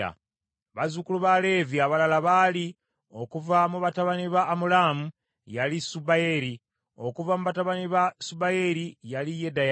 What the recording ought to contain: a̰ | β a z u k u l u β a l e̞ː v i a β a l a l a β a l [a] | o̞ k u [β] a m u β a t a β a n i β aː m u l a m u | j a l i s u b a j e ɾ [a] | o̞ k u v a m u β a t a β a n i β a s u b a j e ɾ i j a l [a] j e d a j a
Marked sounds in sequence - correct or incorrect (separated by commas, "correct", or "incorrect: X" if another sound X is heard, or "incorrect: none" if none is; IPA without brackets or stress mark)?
incorrect: i, incorrect: v, incorrect: i, incorrect: i